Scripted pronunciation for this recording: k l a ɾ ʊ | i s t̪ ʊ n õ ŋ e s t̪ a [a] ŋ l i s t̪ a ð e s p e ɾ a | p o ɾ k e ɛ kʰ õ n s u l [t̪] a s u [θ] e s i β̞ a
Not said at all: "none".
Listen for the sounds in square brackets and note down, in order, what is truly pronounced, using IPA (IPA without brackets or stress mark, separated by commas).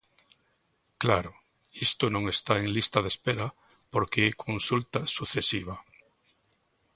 e, t̪, θ